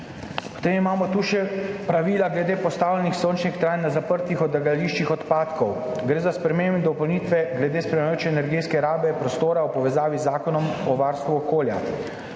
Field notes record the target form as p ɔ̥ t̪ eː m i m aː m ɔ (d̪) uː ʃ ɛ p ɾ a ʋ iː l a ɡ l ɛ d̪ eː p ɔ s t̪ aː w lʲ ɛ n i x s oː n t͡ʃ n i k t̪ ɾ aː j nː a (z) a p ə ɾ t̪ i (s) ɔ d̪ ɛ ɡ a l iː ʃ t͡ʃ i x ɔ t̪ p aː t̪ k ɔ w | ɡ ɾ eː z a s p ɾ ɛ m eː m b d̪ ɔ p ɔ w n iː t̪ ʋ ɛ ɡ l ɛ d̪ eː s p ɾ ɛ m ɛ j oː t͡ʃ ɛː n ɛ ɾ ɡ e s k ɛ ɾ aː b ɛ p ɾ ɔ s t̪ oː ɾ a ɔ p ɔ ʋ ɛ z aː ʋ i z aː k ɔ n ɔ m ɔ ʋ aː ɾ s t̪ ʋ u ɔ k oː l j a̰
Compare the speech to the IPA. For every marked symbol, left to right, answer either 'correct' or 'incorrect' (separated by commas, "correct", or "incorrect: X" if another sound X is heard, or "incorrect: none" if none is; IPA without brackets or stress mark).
incorrect: t̪, correct, incorrect: x